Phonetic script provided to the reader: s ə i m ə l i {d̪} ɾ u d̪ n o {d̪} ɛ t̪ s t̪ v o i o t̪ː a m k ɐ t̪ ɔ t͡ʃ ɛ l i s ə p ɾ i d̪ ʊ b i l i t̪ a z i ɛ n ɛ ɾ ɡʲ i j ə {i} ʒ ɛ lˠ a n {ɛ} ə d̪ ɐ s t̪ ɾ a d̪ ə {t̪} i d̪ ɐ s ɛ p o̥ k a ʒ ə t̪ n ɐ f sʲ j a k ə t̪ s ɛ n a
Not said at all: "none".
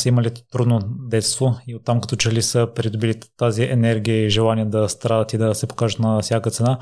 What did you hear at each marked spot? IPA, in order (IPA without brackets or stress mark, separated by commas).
t̪, d̪, i, i, t̪